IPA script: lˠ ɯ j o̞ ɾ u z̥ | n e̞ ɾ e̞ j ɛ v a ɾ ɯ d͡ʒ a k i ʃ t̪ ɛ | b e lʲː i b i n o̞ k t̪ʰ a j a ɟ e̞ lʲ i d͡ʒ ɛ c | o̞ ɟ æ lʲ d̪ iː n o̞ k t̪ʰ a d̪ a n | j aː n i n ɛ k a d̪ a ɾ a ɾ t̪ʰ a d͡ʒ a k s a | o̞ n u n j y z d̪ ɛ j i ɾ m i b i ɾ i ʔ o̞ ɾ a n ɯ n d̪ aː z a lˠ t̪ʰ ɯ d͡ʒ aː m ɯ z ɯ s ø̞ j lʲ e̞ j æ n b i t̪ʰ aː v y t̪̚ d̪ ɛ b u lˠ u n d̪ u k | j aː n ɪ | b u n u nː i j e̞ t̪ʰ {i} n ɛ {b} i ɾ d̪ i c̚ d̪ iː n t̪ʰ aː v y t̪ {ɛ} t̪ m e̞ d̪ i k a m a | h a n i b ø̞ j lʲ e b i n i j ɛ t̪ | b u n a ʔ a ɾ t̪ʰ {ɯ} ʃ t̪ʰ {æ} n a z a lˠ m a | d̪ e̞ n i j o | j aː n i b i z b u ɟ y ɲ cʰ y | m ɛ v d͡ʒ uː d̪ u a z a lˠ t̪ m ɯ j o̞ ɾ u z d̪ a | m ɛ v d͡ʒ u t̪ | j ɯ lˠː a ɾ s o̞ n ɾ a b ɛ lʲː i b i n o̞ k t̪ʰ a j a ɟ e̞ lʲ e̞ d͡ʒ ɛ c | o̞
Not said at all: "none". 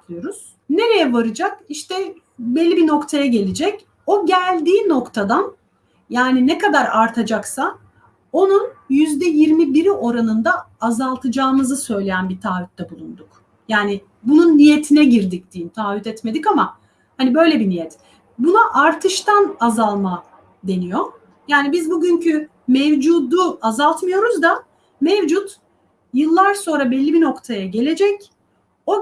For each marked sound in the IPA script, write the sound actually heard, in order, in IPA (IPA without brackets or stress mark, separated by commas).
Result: i, ɟ, ɛ, ɯ, a